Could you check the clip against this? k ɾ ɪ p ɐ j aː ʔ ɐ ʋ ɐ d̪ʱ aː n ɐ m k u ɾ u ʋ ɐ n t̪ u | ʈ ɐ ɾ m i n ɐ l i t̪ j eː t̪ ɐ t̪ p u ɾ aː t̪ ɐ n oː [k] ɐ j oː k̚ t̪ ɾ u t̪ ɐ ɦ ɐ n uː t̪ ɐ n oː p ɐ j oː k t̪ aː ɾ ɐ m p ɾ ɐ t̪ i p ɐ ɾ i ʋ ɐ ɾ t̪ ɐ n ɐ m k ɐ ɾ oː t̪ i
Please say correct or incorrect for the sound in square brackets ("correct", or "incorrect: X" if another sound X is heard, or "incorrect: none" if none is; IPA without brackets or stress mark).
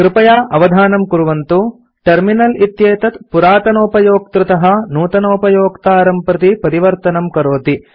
incorrect: p